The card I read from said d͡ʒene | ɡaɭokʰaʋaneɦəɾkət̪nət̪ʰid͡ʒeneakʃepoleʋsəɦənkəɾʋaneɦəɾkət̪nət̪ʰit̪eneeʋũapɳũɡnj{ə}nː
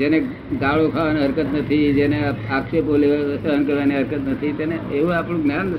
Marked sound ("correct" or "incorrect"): incorrect